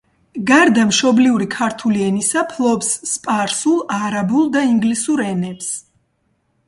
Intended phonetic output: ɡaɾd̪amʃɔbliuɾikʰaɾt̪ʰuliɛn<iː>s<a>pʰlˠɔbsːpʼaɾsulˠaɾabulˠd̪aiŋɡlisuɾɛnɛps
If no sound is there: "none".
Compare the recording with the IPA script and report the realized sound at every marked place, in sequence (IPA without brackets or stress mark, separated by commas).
i, a